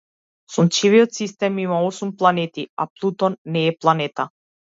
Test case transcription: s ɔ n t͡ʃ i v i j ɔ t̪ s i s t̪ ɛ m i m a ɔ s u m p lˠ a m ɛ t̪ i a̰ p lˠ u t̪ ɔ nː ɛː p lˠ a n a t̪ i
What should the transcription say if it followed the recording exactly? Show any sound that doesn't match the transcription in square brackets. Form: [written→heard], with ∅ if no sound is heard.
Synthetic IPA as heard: s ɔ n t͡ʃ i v i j ɔ t̪ s i s t̪ ɛ m i m a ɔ s u m p lˠ a [m→n] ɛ t̪ i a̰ p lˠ u t̪ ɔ nː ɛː p lˠ a n [a→ɛ] t̪ [i→a]